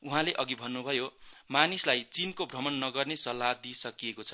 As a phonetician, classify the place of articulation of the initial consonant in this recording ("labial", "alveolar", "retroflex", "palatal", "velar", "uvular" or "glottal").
glottal